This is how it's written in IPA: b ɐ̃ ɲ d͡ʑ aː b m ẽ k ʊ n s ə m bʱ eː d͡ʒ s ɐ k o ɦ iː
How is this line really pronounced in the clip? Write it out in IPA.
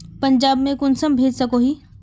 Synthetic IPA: p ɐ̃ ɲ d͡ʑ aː b m ẽ k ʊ n s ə m bʱ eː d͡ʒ s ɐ k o ɦ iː